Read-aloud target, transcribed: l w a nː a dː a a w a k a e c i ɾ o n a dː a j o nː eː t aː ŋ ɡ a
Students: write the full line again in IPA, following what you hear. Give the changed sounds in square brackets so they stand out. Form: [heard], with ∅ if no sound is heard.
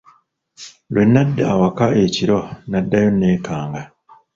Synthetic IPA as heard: l w [e] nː a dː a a w a k a e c i ɾ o n a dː a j o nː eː [k] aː ŋ ɡ a